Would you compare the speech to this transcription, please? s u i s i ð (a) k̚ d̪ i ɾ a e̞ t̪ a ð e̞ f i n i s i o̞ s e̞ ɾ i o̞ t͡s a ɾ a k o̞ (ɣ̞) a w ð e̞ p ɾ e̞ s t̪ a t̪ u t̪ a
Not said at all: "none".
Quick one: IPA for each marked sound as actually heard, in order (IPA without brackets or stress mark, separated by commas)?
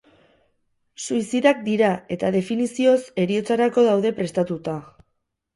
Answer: a, ð̞